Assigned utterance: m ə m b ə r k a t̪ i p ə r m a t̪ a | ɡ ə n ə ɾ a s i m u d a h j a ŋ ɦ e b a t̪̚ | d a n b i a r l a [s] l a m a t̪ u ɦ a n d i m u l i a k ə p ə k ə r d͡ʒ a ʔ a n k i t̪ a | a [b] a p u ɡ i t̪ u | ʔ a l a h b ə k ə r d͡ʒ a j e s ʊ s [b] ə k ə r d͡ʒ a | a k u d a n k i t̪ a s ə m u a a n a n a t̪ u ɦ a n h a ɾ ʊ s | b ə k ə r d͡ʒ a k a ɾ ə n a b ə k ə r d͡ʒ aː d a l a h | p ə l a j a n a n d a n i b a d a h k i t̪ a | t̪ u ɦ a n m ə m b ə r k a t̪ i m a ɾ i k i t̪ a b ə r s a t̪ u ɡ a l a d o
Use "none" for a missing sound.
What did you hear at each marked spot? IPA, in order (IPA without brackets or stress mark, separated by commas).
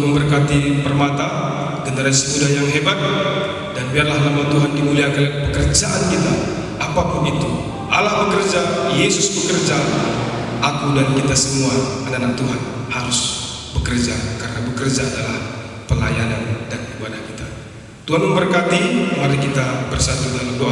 h, p, b